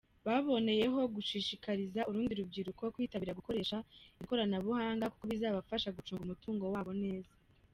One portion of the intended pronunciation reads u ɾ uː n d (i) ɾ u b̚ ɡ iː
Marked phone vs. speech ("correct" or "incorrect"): correct